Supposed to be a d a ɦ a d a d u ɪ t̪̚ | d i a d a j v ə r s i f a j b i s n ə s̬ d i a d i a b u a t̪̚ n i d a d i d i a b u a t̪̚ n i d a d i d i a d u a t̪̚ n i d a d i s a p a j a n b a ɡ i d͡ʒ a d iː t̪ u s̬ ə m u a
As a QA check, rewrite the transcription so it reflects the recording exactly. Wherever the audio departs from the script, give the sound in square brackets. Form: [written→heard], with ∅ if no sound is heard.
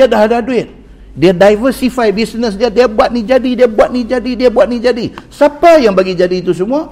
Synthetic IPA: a d a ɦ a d a d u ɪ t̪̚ | d i a d a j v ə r s i f a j b i s n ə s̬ d i a d i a b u a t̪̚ n i [d→d͡ʒ] a d i d i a b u a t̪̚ n i [d→d͡ʒ] a d i d i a [d→b] u a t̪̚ n i [d→d͡ʒ] a d i s a p a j a [n→ŋ] b a ɡ i d͡ʒ a d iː t̪ u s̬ ə m u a